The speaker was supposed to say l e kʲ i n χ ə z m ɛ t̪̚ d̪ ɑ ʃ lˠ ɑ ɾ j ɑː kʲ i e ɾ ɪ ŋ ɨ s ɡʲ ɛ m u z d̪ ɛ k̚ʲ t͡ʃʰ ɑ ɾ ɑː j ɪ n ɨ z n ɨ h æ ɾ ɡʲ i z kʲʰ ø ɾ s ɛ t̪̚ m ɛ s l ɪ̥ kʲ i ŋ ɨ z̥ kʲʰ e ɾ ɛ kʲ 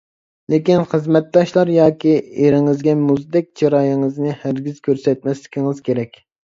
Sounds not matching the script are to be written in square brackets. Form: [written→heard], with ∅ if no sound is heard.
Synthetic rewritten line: l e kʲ i n χ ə z m ɛ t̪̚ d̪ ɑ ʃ lˠ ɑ ɾ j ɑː kʲ i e ɾ ɪ ŋ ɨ [s→z] ɡʲ ɛ m u z d̪ ɛ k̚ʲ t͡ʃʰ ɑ ɾ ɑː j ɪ [n→ŋ] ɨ z n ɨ h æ ɾ ɡʲ i z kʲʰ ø ɾ s ɛ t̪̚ m ɛ s l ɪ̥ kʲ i ŋ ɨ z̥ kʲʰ e ɾ ɛ kʲ